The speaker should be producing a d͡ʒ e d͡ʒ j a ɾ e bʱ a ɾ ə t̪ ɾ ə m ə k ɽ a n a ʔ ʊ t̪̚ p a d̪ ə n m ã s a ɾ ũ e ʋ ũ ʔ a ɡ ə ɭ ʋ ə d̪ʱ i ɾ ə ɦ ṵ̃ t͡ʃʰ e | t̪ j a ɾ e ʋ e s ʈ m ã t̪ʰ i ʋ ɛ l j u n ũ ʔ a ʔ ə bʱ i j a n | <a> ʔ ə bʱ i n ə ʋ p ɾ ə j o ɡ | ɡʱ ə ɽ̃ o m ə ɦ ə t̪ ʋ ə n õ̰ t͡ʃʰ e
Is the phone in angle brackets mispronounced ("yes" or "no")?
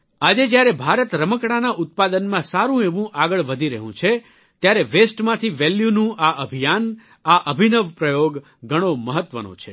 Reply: no